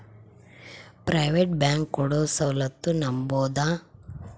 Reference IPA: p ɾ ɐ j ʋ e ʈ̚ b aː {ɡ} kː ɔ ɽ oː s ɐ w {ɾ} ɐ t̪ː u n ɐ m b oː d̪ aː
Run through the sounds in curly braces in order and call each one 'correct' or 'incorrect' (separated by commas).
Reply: incorrect, incorrect